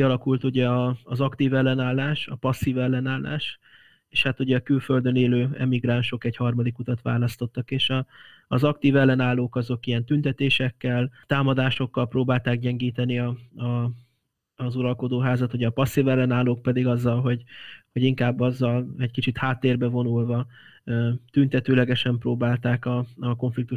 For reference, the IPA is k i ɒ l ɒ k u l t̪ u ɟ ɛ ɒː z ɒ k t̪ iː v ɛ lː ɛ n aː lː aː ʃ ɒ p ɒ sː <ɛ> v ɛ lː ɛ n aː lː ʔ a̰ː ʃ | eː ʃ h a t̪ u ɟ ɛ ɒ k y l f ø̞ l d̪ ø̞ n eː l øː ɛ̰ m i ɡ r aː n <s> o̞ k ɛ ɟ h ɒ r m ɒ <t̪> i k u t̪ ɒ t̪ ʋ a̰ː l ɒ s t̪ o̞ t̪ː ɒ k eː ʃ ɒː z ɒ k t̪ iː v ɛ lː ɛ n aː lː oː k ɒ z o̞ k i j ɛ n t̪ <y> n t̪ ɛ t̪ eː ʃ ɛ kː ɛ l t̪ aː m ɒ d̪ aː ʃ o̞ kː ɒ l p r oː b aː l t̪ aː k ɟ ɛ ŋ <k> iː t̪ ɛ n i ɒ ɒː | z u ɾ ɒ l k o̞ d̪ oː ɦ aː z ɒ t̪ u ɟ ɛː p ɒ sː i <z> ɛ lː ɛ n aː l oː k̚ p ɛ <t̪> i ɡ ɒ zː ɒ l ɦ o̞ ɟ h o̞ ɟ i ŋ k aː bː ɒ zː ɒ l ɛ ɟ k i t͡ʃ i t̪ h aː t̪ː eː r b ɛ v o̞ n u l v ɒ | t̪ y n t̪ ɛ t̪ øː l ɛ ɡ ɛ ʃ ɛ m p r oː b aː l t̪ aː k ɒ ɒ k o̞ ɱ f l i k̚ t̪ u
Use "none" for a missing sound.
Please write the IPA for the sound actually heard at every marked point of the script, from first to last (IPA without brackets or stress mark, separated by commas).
i, ʃ, d̪, y, ɡ, v, d̪